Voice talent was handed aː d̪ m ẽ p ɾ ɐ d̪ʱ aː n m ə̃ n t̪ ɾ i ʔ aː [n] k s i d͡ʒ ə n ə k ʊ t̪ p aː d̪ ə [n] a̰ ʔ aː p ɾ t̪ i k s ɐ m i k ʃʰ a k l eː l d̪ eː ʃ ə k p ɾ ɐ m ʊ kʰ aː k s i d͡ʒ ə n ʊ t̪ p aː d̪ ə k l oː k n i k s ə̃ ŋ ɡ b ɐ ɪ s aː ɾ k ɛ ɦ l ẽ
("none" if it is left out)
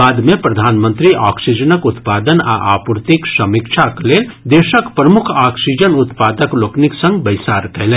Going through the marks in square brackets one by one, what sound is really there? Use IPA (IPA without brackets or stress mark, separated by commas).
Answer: none, n